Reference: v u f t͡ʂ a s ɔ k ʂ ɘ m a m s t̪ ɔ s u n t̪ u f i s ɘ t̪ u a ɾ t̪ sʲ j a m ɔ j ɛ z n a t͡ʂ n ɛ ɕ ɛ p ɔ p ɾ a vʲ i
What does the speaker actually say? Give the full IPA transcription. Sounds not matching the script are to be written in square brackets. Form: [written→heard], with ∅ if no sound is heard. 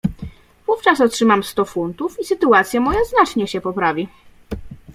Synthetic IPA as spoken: v u f t͡ʂ a s ɔ [k→t] ʂ ɘ m a m s t̪ ɔ [s→f] u n t̪ u f i s ɘ t̪ u a [ɾ→∅] t̪ sʲ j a m ɔ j [ɛ→a] z n a t͡ʂ [n→ɲ] ɛ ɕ ɛ p ɔ p ɾ a vʲ i